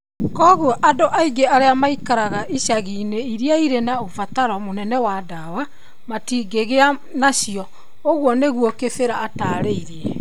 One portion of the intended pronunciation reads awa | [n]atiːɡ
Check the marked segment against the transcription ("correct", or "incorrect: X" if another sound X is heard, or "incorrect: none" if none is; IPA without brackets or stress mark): incorrect: m